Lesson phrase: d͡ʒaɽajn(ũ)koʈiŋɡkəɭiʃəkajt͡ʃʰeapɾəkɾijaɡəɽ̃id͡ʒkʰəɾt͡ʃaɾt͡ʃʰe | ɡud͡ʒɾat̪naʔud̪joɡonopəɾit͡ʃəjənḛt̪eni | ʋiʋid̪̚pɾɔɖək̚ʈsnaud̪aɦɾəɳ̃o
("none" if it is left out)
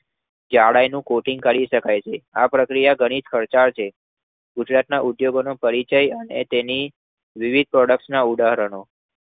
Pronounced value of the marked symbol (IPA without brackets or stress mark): ũ